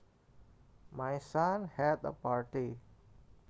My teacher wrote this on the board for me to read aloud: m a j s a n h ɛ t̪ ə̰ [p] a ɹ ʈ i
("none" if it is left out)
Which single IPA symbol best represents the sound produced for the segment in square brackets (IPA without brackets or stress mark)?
p